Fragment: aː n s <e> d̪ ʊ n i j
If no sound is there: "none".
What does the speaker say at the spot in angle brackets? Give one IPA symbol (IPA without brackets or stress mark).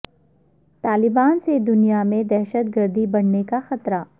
e